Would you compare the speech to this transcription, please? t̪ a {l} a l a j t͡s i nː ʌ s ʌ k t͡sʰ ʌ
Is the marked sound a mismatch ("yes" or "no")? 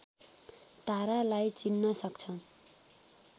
yes